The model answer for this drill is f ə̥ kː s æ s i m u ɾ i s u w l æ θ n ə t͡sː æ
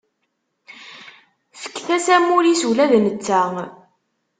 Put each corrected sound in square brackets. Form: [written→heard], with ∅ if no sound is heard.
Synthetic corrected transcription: f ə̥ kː [s→θ] æ s [i→æ] m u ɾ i s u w l æ [θ→ð] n ə t͡sː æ